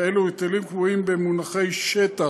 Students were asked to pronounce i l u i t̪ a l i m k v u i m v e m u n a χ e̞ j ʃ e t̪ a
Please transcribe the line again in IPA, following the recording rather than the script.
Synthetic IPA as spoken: e l u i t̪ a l i m k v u i m b e m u n a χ e̞ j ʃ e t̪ a

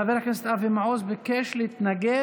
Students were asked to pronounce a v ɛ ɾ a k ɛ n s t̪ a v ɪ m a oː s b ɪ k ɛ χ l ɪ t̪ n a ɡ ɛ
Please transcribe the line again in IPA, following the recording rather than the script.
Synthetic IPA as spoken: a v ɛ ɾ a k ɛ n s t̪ a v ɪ m a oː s b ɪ k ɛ ʃ l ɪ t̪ n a ɡ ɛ

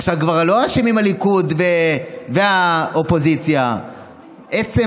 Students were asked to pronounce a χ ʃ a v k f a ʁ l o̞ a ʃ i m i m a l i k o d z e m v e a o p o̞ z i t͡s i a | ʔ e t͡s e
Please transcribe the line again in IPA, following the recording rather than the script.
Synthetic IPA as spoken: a χ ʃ a v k v a ʁ l o̞ a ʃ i m i m a l i k u d v e v e a o p o̞ z i t͡s j a | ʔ e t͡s e

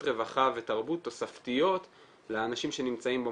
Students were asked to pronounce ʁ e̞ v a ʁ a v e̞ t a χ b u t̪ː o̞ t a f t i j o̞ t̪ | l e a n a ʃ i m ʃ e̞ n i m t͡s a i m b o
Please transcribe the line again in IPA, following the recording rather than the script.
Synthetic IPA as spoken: ʁ e̞ v a χ a v e̞ t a ʁ b u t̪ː o̞ s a f t i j o̞ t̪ | l e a n a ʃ i m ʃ e̞ n i m t͡s a i m b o

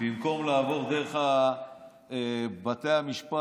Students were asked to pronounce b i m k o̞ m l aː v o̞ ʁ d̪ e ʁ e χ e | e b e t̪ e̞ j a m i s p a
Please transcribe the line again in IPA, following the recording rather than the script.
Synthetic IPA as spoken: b i m k o̞ m l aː v o̞ ʁ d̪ e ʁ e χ a | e b a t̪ e̞ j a m i ʃ p a

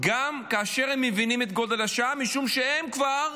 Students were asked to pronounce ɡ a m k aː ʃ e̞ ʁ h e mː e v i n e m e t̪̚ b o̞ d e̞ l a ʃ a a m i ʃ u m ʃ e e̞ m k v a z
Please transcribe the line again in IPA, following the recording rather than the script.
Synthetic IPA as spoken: ɡ a m k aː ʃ e̞ ʁ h e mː e v i n i m e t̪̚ ɡ o̞ d e̞ l a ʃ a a m i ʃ u m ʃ e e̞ m k v a ʁ

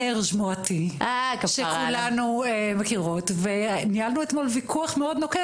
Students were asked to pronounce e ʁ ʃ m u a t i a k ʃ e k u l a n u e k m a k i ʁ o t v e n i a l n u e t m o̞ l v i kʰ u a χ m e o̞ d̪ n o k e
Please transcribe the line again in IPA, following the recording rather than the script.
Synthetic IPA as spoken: e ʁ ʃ m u a t i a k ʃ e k u l a n u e m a k i ʁ o t v e n i a l n u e t m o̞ l v i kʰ u a χ m e o̞ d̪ n o k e

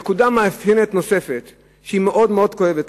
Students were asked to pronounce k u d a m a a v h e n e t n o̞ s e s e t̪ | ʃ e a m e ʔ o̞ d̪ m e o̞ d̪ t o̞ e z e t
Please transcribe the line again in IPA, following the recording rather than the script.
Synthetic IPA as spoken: k u d a m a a f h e n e t n o̞ s e f e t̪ | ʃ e i m e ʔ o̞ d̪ m e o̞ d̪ k o̞ e v e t

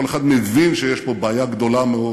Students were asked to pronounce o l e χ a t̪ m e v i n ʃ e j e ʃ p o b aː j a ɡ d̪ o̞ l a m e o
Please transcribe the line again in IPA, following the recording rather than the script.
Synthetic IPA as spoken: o l e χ a d̪ m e v i n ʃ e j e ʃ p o b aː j a ɡ d̪ o̞ l a m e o

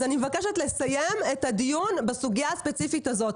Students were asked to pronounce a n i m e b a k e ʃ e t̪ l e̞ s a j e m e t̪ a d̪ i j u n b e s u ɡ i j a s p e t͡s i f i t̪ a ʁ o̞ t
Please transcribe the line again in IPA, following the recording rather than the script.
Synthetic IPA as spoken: a n i m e v a k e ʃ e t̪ l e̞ s a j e m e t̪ a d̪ i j u n b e s u ɡ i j a s p e t͡s i f i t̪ a z o̞ t

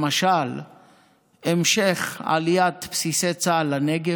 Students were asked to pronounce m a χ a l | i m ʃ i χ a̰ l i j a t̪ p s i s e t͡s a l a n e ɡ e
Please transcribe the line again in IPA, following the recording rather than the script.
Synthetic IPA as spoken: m a ʃ a l | e m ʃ e χ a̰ l i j a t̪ p s i s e t͡s a l a n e ɡ e

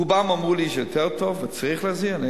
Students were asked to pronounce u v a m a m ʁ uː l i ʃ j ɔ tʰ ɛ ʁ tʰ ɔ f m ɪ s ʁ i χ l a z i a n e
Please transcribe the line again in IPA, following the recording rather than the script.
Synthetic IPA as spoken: u b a m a m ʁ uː l i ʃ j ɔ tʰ ɛ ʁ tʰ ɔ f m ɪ t͡s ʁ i χ l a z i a n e

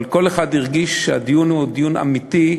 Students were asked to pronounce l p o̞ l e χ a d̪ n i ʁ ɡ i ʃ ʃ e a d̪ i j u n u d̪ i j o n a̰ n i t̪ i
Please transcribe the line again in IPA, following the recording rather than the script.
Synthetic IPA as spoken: l k o̞ l e χ a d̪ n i ʁ ɡ i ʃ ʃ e a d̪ i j u n u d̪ i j u n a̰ m i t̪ i

